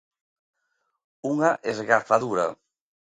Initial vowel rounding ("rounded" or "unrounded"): rounded